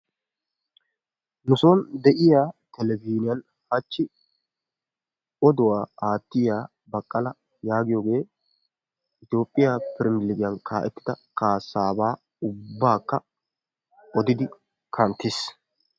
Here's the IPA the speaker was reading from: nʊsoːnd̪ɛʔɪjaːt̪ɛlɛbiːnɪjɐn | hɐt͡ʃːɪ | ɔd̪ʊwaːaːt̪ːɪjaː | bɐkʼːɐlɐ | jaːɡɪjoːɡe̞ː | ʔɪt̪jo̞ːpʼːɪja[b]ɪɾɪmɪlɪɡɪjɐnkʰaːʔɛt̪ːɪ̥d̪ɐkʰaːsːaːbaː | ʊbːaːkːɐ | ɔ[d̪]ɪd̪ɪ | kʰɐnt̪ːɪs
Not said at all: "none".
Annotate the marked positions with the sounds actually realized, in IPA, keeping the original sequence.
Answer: p, d̪

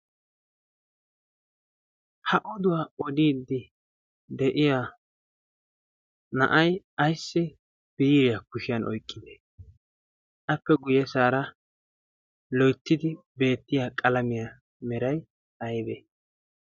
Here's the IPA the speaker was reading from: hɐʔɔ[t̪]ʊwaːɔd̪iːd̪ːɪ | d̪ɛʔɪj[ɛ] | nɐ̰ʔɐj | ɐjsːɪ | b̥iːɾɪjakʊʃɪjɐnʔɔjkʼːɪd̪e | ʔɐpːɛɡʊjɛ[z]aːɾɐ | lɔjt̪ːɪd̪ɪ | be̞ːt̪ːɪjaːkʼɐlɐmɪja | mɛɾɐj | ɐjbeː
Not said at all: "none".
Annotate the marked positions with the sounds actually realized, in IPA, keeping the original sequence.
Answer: d̪, a, s

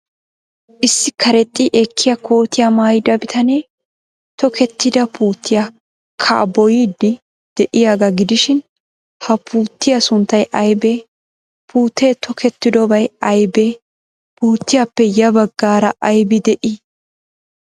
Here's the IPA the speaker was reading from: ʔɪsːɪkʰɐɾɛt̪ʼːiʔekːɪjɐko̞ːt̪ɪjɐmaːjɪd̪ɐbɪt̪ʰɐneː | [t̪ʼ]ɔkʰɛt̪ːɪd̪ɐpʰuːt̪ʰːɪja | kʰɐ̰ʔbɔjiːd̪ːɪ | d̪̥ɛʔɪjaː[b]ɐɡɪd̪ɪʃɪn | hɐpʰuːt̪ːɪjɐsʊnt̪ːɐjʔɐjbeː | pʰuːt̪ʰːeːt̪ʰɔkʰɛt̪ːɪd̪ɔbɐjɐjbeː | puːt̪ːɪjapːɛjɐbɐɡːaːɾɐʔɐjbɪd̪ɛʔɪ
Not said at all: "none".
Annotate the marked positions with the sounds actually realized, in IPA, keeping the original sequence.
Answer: t̪, ɡ

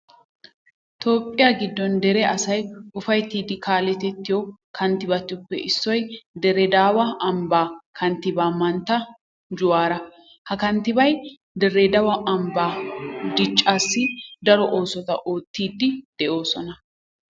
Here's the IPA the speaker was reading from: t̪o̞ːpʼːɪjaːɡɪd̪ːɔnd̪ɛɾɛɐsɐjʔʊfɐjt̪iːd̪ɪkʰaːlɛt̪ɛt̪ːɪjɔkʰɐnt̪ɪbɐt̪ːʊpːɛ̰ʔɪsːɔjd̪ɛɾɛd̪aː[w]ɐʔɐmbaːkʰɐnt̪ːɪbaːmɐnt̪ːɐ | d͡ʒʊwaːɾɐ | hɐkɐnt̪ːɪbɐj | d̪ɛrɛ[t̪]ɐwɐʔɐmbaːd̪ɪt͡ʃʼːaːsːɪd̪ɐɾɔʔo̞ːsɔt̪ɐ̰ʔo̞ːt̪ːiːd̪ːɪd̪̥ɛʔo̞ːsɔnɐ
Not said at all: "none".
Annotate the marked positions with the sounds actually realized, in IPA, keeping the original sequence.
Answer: w, d̪

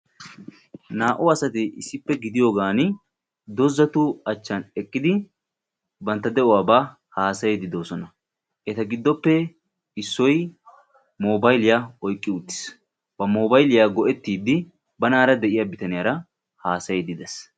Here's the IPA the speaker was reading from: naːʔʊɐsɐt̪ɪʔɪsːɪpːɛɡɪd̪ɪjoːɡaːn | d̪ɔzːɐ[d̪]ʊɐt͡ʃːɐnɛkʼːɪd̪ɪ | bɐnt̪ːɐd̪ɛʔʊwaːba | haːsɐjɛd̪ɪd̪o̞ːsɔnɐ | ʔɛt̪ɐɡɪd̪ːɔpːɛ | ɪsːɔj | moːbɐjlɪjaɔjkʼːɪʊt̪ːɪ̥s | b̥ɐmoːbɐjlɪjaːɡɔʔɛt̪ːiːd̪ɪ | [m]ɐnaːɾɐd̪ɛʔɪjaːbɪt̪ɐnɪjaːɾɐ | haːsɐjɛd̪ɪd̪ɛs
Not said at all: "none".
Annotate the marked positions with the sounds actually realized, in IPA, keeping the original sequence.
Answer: t̪, b

